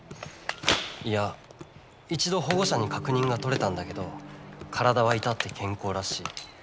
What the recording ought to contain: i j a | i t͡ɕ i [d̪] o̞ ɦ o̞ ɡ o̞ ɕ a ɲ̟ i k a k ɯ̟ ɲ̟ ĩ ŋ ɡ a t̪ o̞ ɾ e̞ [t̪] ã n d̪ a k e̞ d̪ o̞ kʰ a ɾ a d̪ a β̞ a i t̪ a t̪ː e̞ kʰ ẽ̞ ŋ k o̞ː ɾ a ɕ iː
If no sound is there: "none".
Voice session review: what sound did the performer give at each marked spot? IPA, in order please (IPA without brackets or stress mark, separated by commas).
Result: d̪, t̪